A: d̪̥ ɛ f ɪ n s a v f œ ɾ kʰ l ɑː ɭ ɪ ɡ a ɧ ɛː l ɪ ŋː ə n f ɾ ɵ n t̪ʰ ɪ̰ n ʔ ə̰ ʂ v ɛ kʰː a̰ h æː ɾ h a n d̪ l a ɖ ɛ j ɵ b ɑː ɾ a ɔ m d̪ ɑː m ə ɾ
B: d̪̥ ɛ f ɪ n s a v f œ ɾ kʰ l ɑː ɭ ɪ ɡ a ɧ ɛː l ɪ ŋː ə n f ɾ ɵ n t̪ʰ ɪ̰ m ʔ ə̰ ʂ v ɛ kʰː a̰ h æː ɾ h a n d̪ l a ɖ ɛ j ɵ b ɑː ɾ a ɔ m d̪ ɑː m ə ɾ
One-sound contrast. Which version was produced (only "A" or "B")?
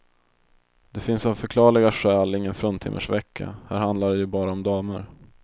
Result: B